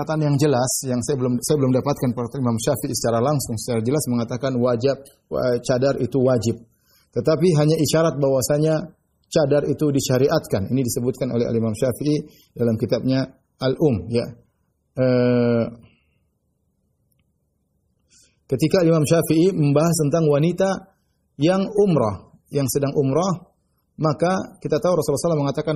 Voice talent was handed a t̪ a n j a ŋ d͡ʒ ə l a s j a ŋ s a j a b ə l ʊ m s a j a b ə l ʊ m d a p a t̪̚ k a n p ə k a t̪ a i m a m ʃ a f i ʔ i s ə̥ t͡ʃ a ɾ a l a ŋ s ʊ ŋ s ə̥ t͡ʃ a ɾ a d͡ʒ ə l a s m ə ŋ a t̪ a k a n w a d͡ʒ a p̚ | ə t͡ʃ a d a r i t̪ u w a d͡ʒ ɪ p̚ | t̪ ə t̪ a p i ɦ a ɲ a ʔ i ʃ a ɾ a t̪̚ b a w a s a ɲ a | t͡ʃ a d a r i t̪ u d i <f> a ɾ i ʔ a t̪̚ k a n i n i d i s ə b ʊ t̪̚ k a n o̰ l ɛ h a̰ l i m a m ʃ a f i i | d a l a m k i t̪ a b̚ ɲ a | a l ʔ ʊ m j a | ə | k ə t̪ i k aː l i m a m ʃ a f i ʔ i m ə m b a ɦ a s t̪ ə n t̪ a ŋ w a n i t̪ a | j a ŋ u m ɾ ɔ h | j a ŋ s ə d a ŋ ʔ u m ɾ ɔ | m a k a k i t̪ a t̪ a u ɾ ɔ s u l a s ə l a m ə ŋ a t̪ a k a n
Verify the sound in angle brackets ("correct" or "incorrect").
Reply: incorrect